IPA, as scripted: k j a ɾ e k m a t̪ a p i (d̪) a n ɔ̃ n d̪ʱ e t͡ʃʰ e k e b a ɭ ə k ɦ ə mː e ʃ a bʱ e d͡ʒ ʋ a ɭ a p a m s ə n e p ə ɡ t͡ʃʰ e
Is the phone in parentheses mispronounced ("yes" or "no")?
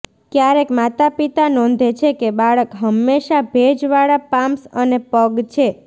yes